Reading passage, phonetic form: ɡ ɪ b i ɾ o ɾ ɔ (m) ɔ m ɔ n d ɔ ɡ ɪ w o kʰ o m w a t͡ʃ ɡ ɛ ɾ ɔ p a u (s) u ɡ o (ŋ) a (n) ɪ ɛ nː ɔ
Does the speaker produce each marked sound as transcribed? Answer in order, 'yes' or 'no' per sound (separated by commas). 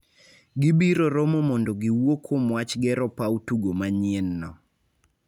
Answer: yes, no, no, no